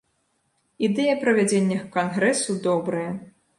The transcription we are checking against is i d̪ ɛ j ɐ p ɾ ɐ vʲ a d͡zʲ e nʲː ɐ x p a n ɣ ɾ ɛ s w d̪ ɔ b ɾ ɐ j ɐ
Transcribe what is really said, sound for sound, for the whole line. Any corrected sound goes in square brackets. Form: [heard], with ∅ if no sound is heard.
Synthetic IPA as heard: i d̪ ɛ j ɐ p ɾ ɐ vʲ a d͡zʲ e nʲː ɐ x [k] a n ɣ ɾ ɛ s [u] d̪ ɔ b ɾ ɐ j ɐ